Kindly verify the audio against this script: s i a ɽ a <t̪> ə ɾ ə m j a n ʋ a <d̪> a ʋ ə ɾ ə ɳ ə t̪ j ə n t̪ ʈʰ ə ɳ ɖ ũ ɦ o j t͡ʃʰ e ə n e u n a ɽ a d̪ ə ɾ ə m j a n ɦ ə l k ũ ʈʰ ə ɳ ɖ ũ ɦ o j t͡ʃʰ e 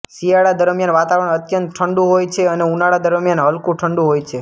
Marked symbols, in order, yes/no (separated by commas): no, no